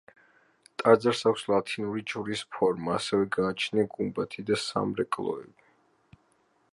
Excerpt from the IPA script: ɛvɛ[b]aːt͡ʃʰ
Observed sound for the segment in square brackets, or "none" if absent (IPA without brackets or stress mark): ɡ